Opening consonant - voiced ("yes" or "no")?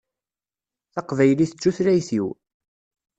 no